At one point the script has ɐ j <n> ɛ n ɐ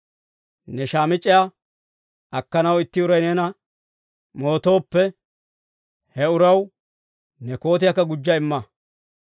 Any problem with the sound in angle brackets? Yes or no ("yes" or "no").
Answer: no